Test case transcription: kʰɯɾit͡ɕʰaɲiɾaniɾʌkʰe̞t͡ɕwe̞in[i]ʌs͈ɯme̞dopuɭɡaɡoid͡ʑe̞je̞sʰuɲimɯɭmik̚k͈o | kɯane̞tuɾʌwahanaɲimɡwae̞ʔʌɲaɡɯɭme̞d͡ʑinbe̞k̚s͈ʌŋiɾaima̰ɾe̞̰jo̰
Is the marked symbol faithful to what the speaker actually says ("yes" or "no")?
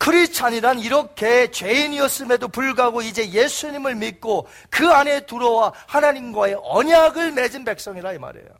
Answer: yes